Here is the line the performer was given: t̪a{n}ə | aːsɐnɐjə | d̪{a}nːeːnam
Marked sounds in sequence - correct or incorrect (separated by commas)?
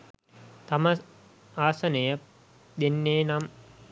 incorrect, incorrect